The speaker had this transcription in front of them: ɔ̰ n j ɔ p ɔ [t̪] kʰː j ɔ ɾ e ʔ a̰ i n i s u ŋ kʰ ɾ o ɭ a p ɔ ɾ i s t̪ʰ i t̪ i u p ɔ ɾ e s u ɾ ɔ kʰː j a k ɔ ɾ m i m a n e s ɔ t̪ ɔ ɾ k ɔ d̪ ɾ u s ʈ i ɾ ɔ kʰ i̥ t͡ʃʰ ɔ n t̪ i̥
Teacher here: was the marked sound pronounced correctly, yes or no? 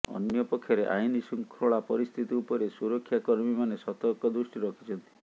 no